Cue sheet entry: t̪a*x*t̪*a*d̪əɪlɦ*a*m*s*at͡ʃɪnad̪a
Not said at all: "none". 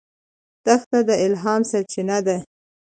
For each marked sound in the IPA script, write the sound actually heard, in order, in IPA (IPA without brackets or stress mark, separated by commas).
x, a, ɑ, s